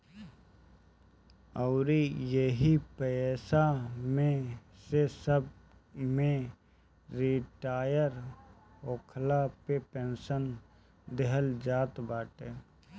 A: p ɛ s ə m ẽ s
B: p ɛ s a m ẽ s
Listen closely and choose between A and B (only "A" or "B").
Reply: B